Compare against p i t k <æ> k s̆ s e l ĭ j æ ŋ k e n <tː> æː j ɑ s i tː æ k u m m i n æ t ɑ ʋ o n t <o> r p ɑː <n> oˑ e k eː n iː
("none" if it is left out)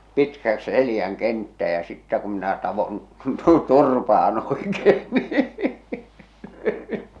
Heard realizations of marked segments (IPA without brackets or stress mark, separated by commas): æ, tː, u, n